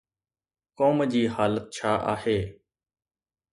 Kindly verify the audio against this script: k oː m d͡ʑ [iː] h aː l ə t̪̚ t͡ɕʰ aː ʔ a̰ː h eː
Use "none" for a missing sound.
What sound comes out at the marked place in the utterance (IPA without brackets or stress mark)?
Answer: iː